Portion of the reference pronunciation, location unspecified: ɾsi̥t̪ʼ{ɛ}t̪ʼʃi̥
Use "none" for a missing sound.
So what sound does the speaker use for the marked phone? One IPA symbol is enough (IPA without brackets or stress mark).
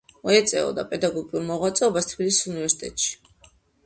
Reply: ɛ